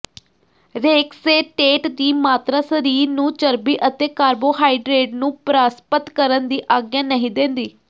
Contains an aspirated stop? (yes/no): no